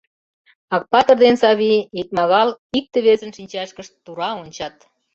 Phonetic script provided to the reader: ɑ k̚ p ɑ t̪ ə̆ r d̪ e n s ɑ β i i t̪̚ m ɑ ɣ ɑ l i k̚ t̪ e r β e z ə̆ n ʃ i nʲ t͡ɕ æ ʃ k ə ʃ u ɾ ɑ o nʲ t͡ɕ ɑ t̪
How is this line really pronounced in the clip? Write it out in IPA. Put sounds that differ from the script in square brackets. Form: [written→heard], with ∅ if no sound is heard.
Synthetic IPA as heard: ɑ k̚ p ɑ t̪ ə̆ r d̪ e n s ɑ β i i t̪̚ m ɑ ɣ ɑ l i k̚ t̪ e [r→∅] β e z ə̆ n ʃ i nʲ t͡ɕ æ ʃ k ə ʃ u ɾ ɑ o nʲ t͡ɕ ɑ t̪

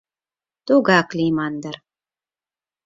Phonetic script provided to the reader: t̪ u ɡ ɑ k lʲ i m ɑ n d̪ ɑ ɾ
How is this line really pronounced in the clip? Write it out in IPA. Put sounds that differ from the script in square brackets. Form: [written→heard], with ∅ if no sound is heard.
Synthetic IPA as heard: t̪ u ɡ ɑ k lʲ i m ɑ n d̪ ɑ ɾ

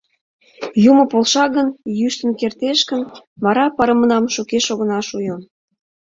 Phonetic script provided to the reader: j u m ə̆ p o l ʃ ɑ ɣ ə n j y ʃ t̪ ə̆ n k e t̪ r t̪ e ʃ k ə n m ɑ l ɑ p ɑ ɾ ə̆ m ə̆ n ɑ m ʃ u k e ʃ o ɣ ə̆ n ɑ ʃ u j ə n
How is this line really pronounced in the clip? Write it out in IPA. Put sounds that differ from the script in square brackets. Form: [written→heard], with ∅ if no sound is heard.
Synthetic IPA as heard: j u m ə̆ p o l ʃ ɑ ɣ ə n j y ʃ t̪ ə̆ n k e [t̪→∅] r t̪ e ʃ k ə n m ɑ [l→ɾ] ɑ p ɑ ɾ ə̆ m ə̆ n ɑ m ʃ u k e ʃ o ɣ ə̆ n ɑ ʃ u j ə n

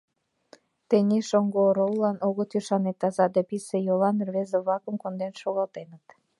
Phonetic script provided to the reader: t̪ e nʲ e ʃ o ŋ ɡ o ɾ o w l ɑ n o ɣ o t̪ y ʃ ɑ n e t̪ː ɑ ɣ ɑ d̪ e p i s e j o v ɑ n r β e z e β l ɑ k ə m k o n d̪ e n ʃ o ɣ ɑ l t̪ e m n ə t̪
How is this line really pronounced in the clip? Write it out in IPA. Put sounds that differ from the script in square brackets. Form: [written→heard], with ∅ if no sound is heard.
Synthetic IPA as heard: t̪ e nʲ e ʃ o ŋ ɡ o ɾ o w l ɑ n o ɣ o t̪ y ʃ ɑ n e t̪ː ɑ [ɣ→z] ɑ d̪ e p i s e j o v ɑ n r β e z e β l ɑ k ə m k o n d̪ e n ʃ o ɣ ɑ l t̪ e [m→∅] n ə t̪

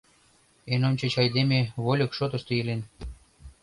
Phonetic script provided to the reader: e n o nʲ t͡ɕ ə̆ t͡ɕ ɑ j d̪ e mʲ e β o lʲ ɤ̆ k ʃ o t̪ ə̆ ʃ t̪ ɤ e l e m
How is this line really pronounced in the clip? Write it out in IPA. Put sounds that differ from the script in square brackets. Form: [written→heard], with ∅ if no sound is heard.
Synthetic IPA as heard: e n o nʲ t͡ɕ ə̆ t͡ɕ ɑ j d̪ e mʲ e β o lʲ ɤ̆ k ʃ o t̪ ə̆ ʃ t̪ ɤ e l e [m→n]

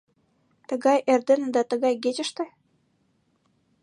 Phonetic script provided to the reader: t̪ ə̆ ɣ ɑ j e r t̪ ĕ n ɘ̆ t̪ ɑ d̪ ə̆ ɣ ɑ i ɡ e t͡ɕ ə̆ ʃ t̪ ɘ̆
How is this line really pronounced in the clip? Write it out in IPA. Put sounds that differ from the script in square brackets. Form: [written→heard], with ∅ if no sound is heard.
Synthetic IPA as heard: t̪ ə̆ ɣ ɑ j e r [t̪→d̪] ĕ n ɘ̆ [t̪→d̪] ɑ [d̪→t̪] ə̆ ɣ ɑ [i→j] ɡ e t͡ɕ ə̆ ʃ t̪ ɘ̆

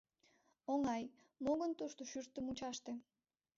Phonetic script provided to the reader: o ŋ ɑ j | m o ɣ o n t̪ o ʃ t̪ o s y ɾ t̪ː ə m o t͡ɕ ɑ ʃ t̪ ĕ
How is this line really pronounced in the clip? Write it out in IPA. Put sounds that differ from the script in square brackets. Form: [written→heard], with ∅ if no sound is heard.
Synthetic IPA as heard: o ŋ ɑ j | m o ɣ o n t̪ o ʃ t̪ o [s→ʃ] y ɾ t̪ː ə m [o→u] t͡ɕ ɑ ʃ t̪ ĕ

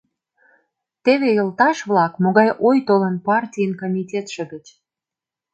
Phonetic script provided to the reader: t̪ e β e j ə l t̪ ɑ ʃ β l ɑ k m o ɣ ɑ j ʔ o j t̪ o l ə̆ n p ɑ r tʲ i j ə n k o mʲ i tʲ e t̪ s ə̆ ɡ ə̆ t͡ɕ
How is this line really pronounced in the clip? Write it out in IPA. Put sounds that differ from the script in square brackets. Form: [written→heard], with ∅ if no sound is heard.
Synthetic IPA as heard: t̪ e β e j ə l t̪ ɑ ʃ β l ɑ k m o ɣ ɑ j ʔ o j t̪ o l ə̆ n p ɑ r tʲ i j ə n k o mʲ i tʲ e t̪ [s→ʃ] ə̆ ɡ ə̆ t͡ɕ

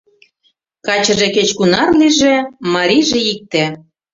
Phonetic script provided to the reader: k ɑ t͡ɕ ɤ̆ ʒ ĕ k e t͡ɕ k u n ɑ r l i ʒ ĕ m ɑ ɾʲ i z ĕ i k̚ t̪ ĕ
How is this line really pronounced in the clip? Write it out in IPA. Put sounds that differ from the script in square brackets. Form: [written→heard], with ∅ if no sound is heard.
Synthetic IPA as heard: k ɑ t͡ɕ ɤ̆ ʒ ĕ k e t͡ɕ k u n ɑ r l i ʒ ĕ m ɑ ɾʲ i [z→ʒ] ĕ i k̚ t̪ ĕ

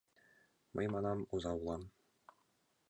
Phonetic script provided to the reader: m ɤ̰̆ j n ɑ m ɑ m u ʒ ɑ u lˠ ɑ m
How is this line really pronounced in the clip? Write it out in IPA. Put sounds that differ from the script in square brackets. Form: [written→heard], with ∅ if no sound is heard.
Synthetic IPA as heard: m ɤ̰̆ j [n→m] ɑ [m→n] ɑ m u [ʒ→z] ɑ u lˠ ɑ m

